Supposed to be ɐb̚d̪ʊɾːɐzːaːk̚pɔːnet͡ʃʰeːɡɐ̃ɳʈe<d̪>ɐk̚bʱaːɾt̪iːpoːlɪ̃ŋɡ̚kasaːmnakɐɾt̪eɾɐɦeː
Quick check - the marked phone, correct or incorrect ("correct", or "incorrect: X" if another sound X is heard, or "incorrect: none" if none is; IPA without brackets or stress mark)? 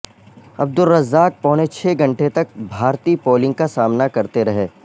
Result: incorrect: t̪